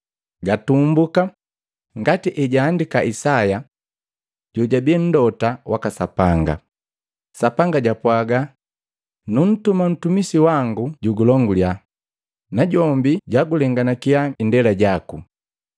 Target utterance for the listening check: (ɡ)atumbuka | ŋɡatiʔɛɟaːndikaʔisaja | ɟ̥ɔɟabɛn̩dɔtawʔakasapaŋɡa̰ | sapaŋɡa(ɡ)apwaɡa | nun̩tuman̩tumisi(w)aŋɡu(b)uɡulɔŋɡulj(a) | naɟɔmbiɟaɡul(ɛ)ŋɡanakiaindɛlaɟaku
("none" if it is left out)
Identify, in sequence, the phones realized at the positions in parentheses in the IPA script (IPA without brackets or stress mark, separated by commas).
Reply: ɡ, ɟ, w, ɟ, a, ɛ